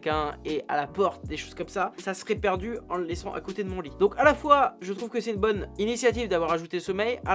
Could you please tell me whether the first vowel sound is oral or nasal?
nasal